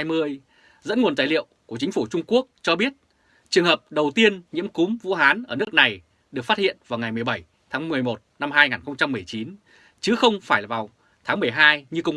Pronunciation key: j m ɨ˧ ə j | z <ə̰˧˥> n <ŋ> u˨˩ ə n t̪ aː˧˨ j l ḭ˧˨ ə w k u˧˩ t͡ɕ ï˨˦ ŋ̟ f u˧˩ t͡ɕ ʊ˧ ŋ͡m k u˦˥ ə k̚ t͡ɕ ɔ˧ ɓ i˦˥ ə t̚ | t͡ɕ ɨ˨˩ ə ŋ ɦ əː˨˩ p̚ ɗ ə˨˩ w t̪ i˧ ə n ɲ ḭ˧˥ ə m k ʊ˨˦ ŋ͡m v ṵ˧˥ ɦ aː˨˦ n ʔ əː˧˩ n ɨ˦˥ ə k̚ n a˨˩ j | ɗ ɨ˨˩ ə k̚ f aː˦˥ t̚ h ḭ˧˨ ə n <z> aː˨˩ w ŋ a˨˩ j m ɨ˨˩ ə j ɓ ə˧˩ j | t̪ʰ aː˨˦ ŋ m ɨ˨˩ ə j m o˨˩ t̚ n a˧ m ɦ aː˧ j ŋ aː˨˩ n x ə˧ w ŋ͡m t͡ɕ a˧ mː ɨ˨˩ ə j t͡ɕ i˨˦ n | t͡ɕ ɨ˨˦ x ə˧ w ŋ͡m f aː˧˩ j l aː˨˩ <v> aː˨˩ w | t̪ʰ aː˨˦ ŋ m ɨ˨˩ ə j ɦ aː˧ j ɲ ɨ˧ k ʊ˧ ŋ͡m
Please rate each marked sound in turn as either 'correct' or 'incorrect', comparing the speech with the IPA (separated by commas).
correct, correct, incorrect, correct